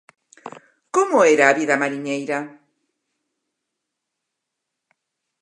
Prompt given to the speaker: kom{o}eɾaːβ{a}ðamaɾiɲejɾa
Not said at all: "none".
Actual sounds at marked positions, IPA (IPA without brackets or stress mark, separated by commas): o, i